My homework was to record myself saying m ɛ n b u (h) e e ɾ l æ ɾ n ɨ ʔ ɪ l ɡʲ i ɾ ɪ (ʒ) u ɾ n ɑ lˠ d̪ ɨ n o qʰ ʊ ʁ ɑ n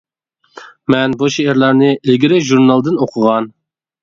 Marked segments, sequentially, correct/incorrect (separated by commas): incorrect, correct